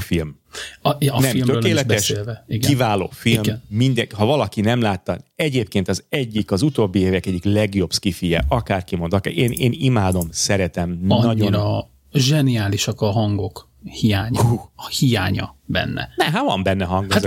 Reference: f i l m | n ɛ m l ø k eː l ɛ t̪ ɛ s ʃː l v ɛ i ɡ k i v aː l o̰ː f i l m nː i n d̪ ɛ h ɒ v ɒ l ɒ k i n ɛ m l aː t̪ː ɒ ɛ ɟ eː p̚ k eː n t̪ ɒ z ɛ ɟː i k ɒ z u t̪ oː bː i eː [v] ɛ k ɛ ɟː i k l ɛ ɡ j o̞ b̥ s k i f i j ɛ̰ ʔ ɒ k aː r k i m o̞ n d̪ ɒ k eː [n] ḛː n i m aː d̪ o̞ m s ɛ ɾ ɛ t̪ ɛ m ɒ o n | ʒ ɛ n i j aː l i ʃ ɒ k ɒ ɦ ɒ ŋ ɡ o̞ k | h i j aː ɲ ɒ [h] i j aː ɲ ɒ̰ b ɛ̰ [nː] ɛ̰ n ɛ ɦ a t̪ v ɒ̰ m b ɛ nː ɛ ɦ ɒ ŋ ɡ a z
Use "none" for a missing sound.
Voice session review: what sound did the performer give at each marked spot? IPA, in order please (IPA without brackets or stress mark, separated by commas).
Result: v, n, h, nː